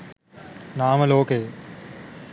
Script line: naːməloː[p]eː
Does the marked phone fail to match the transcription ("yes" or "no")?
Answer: yes